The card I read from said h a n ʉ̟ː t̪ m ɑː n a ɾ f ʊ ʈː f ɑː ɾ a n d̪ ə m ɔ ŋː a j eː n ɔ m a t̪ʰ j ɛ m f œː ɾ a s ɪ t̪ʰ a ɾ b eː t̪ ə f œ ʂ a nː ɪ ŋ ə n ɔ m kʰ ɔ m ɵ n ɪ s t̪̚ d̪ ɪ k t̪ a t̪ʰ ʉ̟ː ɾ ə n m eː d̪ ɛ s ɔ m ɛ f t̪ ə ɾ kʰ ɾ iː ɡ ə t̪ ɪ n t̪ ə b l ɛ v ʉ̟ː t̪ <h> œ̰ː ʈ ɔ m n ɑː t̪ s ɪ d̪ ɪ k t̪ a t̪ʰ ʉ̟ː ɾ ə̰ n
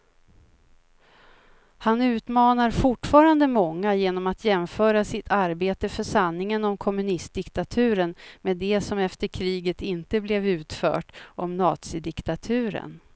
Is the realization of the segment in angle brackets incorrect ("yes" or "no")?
yes